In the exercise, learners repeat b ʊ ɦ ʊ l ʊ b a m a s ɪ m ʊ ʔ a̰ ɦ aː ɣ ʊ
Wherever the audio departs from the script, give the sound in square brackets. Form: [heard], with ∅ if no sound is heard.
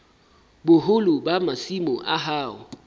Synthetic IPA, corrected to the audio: b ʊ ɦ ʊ l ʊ b a m a s [i] m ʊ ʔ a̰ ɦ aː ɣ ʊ